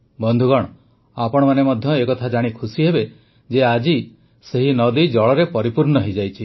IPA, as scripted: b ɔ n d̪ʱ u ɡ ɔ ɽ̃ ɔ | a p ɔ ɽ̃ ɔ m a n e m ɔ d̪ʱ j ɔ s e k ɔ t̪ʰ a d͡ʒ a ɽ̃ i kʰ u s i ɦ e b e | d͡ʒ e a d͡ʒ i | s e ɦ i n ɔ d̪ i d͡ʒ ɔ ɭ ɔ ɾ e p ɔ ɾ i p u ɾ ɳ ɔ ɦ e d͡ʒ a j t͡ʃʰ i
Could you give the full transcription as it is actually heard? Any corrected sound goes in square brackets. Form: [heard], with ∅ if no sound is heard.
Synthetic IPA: b ɔ n d̪ʱ u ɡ ɔ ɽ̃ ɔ | a p ɔ ɽ̃ ɔ m a n e m ɔ d̪ʱ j ɔ [∅] e k ɔ t̪ʰ a d͡ʒ a ɽ̃ i kʰ u s i ɦ e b e | d͡ʒ e a d͡ʒ i | s e ɦ i n ɔ d̪ i d͡ʒ ɔ ɭ ɔ ɾ e p ɔ ɾ i p u ɾ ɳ ɔ ɦ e d͡ʒ a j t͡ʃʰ i